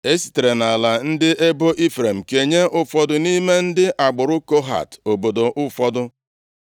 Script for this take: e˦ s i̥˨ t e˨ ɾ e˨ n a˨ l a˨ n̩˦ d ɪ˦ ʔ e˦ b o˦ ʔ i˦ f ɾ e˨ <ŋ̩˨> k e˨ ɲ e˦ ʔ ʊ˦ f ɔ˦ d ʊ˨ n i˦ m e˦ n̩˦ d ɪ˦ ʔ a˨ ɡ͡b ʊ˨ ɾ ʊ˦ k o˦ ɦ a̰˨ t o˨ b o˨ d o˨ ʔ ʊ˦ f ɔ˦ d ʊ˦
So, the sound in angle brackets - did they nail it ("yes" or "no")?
no